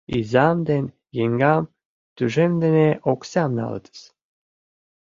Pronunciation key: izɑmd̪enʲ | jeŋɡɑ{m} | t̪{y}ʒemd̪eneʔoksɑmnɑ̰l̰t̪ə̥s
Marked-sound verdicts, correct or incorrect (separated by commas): correct, correct